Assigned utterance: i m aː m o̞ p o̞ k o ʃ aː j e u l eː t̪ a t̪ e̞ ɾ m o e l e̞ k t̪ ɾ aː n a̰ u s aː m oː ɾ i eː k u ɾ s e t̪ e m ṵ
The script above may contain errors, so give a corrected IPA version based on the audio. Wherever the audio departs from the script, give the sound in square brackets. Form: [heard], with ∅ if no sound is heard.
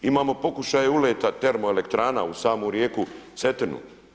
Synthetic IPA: i m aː m o̞ p o̞ k [u] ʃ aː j e u l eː t̪ a t̪ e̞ ɾ m o e l e̞ k t̪ ɾ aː n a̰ u s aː m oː ɾ [j] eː k u [∅] s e t̪ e [n] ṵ